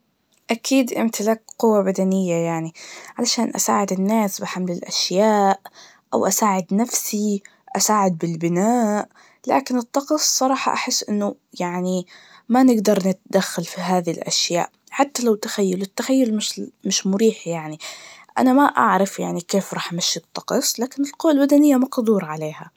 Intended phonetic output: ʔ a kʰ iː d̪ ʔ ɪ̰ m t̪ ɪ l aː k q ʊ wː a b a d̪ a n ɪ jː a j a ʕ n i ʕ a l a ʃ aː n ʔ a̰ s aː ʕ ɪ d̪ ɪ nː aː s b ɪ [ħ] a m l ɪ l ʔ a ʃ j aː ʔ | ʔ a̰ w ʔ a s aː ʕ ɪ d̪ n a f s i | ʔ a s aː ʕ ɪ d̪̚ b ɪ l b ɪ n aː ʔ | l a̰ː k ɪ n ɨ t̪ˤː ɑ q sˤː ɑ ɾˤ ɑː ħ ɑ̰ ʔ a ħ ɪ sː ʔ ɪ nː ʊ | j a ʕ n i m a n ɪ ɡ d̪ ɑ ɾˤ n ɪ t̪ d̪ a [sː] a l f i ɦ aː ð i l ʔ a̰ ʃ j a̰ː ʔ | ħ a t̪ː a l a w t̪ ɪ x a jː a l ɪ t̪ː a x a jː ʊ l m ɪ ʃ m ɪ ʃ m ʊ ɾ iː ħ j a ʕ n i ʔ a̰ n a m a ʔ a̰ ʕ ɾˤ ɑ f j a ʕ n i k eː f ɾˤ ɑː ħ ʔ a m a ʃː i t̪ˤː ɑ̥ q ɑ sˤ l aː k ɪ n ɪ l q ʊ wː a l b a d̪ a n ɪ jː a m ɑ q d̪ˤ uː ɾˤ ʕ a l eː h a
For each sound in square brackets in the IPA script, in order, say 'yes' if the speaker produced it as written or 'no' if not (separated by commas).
yes, no